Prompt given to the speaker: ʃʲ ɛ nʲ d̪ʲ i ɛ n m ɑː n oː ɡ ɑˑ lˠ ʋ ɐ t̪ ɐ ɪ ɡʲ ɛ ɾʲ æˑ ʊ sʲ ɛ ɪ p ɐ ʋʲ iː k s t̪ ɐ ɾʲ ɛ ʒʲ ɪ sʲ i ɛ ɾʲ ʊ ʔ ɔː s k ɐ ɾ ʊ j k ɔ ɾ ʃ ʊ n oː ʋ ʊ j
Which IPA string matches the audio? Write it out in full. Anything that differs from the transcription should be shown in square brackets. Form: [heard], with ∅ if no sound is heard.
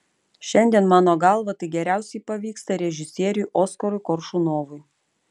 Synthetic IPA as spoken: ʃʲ ɛ nʲ d̪ʲ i ɛ n m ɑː n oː ɡ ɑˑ lˠ ʋ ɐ t̪ ɐ ɪ ɡʲ ɛ ɾʲ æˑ ʊ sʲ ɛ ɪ p ɐ ʋʲ iː k s t̪ ɐ ɾʲ ɛ ʒʲ ɪ sʲ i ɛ ɾʲ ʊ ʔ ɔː s k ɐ ɾ ʊ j k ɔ ɾ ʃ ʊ n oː ʋ ʊ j